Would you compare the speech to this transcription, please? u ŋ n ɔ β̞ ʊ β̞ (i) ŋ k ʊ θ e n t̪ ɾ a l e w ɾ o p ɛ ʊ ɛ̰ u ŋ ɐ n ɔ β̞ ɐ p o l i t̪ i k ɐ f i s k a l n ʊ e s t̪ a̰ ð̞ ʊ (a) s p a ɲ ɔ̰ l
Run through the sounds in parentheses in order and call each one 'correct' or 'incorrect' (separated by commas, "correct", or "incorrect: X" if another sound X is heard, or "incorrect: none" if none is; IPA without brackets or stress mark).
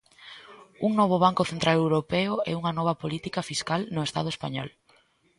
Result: incorrect: a, incorrect: e